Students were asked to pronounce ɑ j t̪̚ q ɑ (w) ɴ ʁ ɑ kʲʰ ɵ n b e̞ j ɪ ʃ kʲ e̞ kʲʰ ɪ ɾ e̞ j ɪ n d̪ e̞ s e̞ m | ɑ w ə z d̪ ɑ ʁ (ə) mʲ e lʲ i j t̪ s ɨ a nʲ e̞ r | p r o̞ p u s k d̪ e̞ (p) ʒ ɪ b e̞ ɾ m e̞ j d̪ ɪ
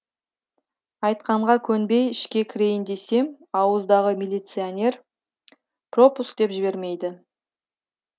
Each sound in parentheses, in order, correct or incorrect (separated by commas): incorrect, correct, correct